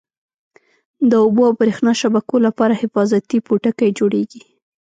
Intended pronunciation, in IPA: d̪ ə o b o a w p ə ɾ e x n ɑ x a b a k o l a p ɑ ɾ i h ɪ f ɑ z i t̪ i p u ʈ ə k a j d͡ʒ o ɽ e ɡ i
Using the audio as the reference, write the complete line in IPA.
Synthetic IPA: d̪ ə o b o a w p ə ɾ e x n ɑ ʃ a b a k o l a p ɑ ɾ a h ɪ f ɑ z a t̪ i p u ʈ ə k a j d͡ʒ o ɽ e ɡ i